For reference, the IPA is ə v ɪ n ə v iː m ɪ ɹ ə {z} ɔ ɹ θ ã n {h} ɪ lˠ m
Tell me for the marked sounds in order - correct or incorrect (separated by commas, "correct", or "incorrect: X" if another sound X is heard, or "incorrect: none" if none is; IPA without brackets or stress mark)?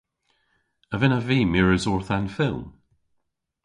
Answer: correct, incorrect: f